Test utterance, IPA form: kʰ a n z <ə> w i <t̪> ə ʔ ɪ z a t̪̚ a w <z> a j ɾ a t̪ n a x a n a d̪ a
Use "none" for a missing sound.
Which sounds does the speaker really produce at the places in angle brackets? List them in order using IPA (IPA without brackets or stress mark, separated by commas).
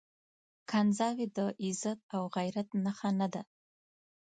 ɑ, d̪, ɣ